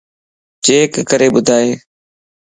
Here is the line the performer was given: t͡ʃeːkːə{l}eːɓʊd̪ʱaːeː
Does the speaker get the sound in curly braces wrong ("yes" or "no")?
yes